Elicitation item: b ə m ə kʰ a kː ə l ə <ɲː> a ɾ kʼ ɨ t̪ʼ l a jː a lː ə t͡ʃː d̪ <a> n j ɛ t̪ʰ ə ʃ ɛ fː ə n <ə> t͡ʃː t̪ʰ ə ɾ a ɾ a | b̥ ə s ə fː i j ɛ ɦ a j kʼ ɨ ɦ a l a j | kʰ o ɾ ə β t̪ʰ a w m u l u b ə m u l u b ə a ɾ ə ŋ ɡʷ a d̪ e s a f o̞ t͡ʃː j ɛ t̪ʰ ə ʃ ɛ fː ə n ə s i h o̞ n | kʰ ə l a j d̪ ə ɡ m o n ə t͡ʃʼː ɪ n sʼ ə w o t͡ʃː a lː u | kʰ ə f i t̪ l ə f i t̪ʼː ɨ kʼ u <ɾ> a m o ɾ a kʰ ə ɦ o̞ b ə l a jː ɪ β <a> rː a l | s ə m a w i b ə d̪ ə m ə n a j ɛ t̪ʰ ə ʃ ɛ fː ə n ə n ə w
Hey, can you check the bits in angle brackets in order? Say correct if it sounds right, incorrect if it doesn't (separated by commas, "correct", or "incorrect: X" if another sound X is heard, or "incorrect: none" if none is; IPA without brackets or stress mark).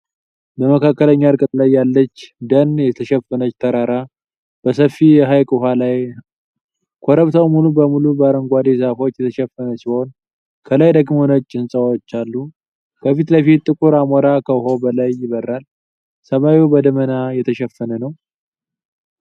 correct, incorrect: ə, correct, correct, incorrect: ə